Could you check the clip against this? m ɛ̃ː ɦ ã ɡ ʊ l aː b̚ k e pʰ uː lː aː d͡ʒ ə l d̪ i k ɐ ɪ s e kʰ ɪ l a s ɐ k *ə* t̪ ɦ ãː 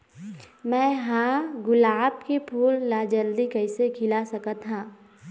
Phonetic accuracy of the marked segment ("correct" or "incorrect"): correct